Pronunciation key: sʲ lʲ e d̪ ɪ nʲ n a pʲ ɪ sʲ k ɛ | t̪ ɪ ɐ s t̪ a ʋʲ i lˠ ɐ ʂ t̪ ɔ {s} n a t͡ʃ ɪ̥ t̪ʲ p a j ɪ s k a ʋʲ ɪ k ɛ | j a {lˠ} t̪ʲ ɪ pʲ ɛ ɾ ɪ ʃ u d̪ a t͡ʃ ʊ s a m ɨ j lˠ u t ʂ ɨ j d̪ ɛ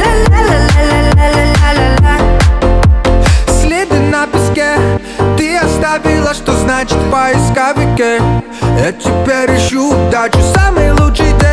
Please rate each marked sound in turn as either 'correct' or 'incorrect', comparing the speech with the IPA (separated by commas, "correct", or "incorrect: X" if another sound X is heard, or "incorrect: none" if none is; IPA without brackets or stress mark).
incorrect: z, incorrect: none